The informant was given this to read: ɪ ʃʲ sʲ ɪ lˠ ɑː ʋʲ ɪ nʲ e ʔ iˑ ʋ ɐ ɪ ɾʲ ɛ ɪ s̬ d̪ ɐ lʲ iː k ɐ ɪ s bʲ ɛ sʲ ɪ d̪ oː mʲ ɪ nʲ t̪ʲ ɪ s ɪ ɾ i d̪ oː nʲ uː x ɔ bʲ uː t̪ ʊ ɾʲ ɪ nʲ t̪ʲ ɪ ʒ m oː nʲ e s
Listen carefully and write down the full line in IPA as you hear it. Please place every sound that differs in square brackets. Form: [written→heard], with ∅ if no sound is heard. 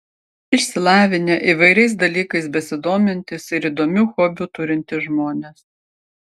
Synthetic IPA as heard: ɪ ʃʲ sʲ ɪ lˠ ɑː ʋʲ ɪ nʲ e ʔ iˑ ʋ ɐ ɪ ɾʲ ɛ ɪ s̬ d̪ ɐ lʲ iː k ɐ ɪ s bʲ ɛ sʲ ɪ d̪ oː mʲ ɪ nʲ t̪ʲ ɪ s ɪ ɾ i d̪ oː [nʲ→mʲ] uː x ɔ bʲ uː t̪ ʊ ɾʲ ɪ nʲ t̪ʲ ɪ ʒ m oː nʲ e s

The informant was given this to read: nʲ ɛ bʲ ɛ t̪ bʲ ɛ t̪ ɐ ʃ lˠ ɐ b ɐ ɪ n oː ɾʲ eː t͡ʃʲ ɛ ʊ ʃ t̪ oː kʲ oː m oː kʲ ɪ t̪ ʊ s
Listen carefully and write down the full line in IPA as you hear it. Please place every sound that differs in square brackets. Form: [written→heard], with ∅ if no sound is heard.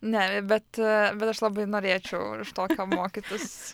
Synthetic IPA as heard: nʲ ɛ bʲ ɛ t̪ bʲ ɛ t̪ ɐ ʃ lˠ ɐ b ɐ ɪ n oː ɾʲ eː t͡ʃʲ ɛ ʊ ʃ t̪ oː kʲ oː m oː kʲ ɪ t̪ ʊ s

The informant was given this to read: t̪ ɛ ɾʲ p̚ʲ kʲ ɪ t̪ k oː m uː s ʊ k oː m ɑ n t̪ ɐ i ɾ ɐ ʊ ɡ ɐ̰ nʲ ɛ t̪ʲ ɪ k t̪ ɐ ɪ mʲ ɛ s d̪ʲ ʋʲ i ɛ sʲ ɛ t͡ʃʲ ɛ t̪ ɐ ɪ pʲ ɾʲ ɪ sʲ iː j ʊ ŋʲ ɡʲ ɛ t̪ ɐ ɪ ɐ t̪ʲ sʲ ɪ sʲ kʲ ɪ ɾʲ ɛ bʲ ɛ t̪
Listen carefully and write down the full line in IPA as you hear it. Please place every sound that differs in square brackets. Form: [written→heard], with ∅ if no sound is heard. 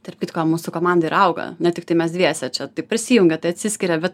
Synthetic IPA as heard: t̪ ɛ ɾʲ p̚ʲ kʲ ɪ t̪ k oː m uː s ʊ k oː m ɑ n [t̪→d̪] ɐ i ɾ ɐ ʊ ɡ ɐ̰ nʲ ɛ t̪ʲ ɪ k t̪ ɐ ɪ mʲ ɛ s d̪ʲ ʋʲ i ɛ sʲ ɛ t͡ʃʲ ɛ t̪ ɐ ɪ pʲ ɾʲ ɪ sʲ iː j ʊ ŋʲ ɡʲ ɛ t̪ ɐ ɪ ɐ t̪ʲ sʲ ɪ sʲ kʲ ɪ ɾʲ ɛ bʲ ɛ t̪

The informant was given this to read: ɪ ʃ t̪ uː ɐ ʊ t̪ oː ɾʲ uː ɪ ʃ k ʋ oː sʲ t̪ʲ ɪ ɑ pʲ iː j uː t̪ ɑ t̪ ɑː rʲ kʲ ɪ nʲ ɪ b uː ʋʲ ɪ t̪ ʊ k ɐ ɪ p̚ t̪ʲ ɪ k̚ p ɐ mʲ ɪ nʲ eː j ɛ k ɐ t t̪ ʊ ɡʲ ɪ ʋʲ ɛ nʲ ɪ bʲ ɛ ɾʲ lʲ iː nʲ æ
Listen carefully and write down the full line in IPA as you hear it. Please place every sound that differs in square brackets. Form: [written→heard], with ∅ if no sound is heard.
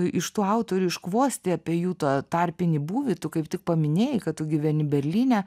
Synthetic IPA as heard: ɪ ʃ t̪ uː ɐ ʊ t̪ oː ɾʲ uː ɪ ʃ k ʋ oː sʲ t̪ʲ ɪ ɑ pʲ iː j uː t̪ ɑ t̪ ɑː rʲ [kʲ→pʲ] ɪ nʲ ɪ b uː ʋʲ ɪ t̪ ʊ k ɐ ɪ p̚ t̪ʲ ɪ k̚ p ɐ mʲ ɪ nʲ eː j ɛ k ɐ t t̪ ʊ ɡʲ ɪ ʋʲ ɛ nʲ ɪ bʲ ɛ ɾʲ lʲ iː nʲ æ

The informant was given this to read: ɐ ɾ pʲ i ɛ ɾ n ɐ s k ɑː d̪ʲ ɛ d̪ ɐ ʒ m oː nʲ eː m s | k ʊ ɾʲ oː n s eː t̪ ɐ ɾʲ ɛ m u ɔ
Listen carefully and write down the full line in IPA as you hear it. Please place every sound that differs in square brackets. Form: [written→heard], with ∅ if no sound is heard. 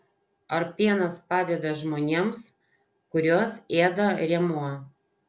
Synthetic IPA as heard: ɐ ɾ pʲ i ɛ [ɾ→∅] n ɐ s [k→p] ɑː d̪ʲ ɛ d̪ ɐ ʒ m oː nʲ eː m s | k ʊ ɾʲ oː [n→∅] s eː [t̪→d̪] ɐ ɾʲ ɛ m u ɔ

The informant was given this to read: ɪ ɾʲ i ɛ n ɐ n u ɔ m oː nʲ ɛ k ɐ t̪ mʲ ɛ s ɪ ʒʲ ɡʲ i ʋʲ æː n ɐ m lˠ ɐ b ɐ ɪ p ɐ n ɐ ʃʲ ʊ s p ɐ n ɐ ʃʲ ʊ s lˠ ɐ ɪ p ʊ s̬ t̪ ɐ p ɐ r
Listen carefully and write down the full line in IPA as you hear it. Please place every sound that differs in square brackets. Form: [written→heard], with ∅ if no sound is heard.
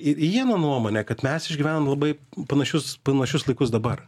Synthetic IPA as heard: ɪ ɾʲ i ɛ n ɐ n u ɔ m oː nʲ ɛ k ɐ t̪ mʲ ɛ s ɪ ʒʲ ɡʲ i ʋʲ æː n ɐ m lˠ ɐ b ɐ ɪ p ɐ n ɐ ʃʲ ʊ s p ɐ n ɐ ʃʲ ʊ s lˠ ɐ ɪ [p→k] ʊ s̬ [t̪→d̪] ɐ [p→b] ɐ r

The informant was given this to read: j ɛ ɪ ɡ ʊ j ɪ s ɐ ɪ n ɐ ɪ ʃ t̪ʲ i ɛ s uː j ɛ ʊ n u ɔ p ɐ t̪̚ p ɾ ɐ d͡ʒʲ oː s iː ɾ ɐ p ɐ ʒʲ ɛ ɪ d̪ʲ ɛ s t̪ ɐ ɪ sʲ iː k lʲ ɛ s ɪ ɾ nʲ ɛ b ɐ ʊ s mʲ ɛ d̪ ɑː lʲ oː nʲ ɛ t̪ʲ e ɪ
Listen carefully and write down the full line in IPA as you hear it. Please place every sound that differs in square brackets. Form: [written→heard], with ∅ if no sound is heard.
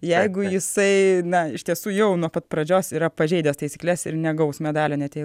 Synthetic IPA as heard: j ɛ ɪ ɡ ʊ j ɪ s ɐ ɪ n ɐ ɪ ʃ t̪ʲ i ɛ s uː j ɛ ʊ n u ɔ p ɐ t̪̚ p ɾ ɐ d͡ʒʲ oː s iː ɾ ɐ p ɐ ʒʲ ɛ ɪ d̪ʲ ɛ s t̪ ɐ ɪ sʲ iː k lʲ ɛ s ɪ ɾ nʲ ɛ [b→ɡ] ɐ ʊ s mʲ ɛ d̪ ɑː lʲ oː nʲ ɛ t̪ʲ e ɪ

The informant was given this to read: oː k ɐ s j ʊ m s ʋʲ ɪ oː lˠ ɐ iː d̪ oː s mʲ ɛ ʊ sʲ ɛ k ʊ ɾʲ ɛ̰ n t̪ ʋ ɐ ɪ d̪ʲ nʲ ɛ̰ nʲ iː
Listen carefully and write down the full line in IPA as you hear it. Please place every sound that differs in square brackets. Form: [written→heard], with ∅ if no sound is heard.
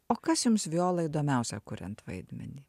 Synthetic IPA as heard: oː k ɐ s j ʊ m s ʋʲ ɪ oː lˠ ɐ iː d̪ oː [s→∅] mʲ ɛ ʊ sʲ ɛ k ʊ ɾʲ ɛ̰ n t̪ ʋ ɐ ɪ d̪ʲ [nʲ→mʲ] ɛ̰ nʲ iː

